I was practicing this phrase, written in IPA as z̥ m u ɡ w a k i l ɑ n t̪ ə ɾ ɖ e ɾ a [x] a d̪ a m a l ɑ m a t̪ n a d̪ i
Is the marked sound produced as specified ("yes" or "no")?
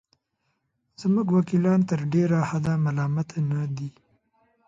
no